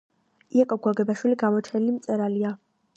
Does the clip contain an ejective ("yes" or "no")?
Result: yes